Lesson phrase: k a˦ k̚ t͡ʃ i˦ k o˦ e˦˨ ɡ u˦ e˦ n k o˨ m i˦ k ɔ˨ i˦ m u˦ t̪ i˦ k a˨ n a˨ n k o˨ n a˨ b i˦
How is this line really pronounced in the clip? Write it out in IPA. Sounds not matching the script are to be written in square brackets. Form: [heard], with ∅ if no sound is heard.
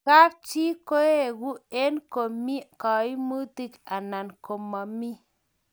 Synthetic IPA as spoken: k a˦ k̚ t͡ʃ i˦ k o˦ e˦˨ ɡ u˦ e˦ n k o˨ m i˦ k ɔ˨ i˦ m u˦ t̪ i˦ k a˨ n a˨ n k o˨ [m] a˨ [m] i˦